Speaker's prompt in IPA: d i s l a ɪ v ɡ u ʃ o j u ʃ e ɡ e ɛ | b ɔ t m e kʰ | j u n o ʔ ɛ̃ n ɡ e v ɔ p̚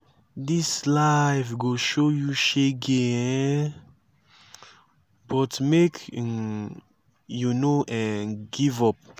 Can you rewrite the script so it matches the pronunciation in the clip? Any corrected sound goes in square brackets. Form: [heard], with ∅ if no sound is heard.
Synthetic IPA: d i s l a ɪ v ɡ [o] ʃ o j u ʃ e ɡ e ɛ | b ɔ t m e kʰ | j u n o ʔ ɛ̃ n ɡ [i] v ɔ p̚